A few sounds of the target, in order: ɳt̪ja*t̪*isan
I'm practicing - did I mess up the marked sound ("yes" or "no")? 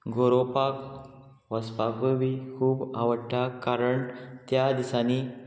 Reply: yes